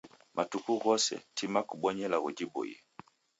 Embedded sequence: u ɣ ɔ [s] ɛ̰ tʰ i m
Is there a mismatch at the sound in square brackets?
no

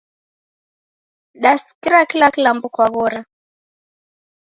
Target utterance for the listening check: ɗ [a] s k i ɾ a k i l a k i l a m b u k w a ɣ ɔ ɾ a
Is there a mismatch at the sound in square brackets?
no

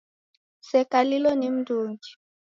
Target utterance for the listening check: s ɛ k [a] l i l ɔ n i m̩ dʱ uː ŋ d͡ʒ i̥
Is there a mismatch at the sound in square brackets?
no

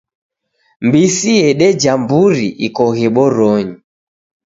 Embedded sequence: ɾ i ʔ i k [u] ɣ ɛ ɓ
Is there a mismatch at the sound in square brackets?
yes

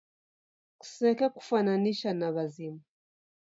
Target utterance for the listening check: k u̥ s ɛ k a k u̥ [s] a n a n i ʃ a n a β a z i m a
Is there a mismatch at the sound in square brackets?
yes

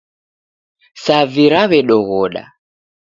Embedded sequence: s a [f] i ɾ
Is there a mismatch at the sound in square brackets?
yes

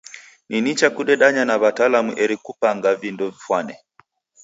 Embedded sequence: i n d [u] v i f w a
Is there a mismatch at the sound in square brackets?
yes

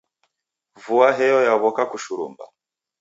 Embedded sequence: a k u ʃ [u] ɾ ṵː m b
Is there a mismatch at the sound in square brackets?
no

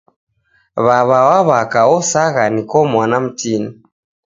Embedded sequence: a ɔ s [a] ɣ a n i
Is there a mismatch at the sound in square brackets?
no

